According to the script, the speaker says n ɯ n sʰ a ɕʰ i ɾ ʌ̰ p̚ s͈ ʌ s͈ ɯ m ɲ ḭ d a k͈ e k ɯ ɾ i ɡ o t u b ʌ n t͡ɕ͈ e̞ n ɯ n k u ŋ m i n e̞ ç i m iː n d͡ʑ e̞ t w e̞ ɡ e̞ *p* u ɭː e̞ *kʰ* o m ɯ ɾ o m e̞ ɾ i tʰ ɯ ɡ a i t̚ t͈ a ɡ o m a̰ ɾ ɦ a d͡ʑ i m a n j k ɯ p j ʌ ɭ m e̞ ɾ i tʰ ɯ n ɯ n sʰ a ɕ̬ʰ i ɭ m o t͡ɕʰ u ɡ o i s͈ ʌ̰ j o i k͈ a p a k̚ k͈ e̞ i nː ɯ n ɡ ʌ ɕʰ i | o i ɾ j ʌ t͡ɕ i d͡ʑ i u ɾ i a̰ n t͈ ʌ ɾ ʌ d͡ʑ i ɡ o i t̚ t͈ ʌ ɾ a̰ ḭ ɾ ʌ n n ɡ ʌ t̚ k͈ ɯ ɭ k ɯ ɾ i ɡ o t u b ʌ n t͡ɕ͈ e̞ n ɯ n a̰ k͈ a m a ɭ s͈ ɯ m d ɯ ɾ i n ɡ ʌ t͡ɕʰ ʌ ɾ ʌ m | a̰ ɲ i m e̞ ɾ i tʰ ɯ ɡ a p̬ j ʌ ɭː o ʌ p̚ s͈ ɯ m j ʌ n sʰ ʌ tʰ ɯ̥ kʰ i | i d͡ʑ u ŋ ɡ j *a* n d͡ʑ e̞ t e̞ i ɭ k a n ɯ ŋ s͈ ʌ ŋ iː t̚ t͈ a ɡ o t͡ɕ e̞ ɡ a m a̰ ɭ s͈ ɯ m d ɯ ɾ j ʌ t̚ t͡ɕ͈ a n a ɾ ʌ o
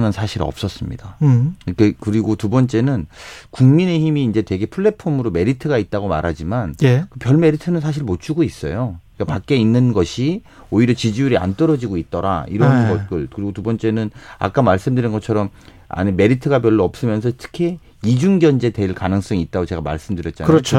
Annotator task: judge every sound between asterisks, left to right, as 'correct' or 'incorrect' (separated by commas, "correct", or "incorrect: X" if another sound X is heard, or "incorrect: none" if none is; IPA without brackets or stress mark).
incorrect: pʰ, incorrect: pʰ, incorrect: ʌ